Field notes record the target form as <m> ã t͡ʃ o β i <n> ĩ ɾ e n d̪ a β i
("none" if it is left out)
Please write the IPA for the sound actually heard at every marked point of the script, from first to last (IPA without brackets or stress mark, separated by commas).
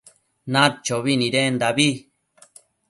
n, n